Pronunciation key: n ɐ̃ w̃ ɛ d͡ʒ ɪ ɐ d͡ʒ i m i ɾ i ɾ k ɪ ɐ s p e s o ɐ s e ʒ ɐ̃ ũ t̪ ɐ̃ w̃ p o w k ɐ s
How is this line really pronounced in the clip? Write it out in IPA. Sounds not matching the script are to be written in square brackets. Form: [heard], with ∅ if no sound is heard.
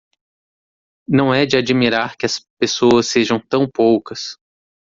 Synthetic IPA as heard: n ɐ̃ w̃ ɛ d͡ʒ ɪ [a] d͡ʒ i m i ɾ [a] ɾ k ɪ ɐ s p e s o ɐ s e ʒ ɐ̃ [w̃] t̪ ɐ̃ w̃ p o w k ɐ s